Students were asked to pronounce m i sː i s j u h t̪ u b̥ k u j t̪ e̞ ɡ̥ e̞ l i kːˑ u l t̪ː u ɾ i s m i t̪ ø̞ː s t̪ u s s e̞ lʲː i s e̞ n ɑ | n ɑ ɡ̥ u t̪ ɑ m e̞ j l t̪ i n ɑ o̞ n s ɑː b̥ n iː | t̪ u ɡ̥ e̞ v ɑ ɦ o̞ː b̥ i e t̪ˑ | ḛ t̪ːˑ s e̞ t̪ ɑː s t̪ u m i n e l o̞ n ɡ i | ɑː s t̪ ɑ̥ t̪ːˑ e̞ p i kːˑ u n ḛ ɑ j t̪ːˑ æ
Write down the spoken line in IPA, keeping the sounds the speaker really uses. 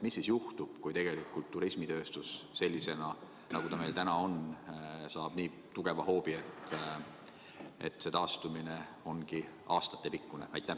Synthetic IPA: m i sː i s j u h t̪ u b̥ k u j t̪ e̞ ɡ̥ e̞ l i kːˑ u l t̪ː u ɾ i s m i t̪ ø̞ː s t̪ u s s e̞ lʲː i s e̞ n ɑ | n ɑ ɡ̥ u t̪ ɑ m e̞ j l t̪ æ n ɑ o̞ n s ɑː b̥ n iː | t̪ u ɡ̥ e̞ v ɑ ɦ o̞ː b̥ i e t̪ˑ | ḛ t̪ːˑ s e̞ t̪ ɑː s t̪ u m i n e o̞ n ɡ i | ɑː s t̪ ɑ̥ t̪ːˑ e̞ p i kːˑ u n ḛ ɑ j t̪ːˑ æ